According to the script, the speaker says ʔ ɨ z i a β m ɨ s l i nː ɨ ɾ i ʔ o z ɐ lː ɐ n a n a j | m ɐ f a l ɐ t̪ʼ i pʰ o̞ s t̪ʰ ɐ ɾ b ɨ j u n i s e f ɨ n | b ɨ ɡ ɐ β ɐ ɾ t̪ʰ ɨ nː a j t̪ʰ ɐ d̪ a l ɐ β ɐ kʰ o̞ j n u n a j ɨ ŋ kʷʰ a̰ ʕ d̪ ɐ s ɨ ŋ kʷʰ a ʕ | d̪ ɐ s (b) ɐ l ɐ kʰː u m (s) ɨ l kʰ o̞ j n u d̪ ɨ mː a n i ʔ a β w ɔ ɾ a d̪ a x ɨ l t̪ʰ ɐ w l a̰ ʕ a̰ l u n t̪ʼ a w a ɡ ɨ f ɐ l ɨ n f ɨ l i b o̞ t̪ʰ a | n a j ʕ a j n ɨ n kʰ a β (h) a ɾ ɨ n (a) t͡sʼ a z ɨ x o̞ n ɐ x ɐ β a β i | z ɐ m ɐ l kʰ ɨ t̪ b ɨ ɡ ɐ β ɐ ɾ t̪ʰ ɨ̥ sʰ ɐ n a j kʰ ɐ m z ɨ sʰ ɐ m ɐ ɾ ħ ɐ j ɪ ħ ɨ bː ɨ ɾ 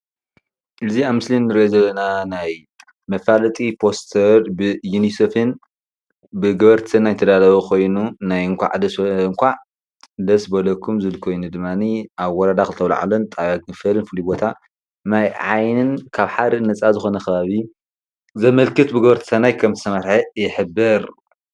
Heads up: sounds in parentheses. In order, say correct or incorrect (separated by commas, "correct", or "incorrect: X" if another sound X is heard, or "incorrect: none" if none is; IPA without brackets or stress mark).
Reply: correct, incorrect: z, incorrect: ħ, incorrect: ɐ